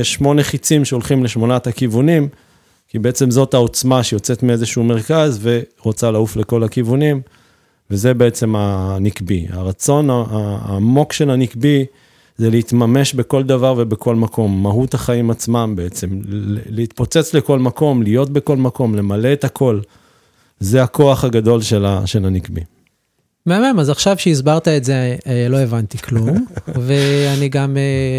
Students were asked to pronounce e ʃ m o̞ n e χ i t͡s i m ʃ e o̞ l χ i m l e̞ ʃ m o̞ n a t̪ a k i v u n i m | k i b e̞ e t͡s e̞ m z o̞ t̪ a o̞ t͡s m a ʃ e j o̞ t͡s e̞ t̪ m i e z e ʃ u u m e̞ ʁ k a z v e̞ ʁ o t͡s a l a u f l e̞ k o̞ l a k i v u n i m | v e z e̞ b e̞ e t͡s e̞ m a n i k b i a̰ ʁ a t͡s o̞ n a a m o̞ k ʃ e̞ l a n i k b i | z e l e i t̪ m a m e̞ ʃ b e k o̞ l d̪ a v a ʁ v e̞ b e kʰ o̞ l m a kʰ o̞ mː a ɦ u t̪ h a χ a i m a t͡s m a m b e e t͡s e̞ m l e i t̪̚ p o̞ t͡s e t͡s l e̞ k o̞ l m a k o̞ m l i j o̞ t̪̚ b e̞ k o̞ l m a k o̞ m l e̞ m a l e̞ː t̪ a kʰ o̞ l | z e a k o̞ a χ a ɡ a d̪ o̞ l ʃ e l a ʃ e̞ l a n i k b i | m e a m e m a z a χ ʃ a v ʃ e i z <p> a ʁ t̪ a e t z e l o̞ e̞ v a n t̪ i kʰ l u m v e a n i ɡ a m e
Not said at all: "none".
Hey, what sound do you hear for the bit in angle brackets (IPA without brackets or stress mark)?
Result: b